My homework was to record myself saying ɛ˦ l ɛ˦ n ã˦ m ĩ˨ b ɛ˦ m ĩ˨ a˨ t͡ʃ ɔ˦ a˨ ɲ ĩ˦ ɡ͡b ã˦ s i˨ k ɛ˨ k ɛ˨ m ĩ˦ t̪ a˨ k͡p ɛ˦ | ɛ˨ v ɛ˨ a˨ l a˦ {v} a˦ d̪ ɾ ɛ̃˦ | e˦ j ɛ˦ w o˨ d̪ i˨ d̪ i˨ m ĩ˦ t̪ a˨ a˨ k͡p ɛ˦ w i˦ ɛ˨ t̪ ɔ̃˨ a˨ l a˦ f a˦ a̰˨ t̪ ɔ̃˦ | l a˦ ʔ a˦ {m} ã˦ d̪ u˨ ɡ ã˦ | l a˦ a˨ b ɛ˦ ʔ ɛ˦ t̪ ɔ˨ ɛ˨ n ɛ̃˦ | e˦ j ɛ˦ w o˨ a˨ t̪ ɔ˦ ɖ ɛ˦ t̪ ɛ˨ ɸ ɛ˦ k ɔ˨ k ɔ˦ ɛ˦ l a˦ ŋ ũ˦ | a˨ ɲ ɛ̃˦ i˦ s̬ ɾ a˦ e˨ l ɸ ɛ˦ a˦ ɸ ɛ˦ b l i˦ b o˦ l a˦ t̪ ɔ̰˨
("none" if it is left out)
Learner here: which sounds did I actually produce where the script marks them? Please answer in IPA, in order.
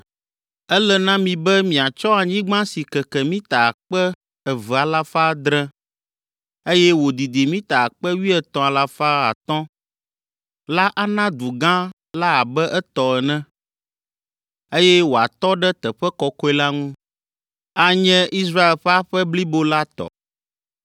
f, n

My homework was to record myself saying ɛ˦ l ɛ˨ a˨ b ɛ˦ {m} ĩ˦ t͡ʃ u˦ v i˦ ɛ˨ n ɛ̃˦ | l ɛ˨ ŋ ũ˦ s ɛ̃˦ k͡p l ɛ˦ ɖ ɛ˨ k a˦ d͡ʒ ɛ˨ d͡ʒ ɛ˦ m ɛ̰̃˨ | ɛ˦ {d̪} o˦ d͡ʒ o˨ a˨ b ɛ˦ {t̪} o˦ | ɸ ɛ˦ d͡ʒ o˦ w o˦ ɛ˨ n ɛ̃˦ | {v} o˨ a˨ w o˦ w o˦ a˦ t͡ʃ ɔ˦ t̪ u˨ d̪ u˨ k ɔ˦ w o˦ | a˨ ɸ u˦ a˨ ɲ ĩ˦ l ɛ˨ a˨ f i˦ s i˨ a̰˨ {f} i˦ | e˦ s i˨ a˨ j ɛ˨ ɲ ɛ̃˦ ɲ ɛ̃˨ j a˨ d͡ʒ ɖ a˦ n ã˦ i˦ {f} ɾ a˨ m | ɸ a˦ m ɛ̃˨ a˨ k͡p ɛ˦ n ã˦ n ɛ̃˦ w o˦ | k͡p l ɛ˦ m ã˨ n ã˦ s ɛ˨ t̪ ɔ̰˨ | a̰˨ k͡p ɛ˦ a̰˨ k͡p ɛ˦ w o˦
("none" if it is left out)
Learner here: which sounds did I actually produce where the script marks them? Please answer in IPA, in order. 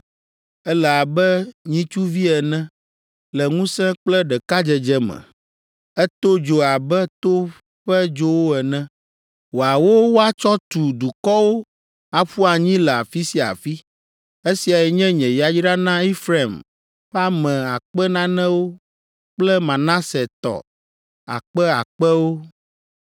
ɲ, t̪, t̪, w, f, f

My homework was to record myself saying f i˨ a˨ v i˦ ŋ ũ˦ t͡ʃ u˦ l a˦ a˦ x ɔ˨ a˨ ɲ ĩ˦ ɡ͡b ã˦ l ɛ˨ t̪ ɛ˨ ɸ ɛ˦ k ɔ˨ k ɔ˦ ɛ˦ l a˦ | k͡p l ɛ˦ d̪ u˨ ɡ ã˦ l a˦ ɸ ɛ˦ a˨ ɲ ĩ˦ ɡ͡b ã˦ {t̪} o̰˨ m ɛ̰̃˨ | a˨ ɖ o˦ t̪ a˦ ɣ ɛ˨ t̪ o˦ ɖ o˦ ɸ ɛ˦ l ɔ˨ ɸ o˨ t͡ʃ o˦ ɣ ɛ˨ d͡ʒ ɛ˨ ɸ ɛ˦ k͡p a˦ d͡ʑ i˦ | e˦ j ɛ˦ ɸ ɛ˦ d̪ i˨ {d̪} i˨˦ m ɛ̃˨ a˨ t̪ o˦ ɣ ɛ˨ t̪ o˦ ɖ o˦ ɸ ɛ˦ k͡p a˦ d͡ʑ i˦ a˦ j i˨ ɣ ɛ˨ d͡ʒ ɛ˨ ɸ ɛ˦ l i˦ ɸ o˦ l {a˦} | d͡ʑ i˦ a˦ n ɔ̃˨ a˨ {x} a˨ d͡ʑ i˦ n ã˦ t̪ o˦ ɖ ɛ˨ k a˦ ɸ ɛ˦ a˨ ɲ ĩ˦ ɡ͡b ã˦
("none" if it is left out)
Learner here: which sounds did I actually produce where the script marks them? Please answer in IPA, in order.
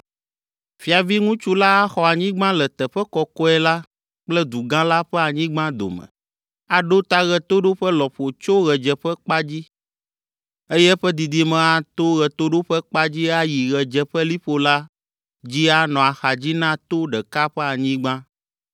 d̪, d̪, a˦, x

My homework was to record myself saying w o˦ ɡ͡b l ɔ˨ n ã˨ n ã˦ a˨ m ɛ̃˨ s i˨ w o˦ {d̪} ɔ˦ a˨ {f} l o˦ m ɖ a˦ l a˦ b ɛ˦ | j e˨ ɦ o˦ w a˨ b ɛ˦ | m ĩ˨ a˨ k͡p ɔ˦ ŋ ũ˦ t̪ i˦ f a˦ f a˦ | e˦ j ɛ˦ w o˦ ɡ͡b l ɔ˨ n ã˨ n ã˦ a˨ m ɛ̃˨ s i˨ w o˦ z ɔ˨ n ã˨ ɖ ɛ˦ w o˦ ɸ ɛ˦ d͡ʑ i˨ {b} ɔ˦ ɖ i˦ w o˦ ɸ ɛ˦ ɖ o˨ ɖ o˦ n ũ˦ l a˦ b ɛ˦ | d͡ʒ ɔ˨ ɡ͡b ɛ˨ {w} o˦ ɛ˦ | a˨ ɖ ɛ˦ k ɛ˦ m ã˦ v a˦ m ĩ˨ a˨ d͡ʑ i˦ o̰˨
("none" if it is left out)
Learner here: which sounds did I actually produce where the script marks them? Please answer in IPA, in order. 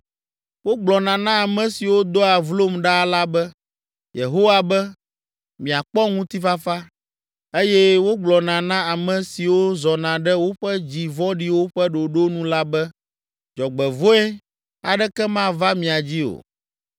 d̪, v, v, v

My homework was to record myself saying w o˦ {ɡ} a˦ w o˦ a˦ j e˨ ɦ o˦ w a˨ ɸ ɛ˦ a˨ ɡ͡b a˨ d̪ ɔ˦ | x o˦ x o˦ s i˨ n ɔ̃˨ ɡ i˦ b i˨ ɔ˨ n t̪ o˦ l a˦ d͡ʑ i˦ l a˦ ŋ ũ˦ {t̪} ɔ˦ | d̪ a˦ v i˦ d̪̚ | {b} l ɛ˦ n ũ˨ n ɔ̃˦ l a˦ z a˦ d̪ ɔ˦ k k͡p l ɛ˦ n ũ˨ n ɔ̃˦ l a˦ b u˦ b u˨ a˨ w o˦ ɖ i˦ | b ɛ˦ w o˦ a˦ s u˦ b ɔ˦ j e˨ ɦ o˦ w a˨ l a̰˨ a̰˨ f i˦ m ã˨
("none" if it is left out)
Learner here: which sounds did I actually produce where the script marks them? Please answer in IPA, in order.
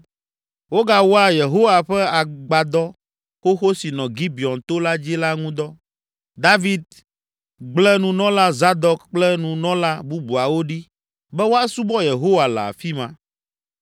ɡ, d̪, ɡ͡b

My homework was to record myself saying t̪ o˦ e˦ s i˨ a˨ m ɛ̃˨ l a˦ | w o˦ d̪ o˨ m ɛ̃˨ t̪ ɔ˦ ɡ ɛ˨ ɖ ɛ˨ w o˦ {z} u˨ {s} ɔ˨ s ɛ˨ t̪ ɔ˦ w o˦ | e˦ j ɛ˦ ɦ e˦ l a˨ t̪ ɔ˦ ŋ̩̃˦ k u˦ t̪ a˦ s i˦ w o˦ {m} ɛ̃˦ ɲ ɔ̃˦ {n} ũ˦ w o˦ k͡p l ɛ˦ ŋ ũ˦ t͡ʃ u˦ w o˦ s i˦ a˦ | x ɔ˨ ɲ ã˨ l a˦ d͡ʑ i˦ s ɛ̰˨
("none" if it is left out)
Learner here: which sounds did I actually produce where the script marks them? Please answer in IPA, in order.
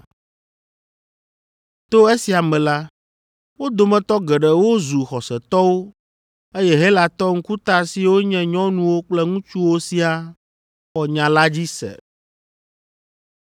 z, x, ɲ, n

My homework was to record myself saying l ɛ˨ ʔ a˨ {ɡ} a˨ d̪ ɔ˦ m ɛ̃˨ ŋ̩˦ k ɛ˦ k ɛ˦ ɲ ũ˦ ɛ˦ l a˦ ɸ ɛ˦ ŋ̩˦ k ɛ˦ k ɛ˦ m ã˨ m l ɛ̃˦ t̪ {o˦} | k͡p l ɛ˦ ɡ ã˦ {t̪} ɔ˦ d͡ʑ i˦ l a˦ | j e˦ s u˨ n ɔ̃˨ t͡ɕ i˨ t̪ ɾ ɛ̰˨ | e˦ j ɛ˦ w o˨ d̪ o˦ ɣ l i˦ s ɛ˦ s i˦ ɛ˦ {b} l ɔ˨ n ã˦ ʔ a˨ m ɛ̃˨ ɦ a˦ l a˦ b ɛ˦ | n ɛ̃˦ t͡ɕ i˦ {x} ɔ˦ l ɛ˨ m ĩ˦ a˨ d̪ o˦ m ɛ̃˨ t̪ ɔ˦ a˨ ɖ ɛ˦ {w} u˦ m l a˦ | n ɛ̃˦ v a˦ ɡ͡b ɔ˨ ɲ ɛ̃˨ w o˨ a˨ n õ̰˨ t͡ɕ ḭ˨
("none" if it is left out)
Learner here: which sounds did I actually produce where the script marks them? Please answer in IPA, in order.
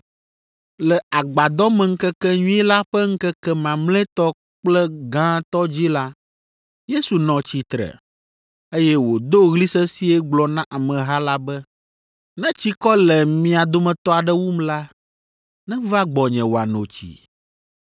ɡ͡b, ɔ˦, t̪, ɡ͡b, k, w

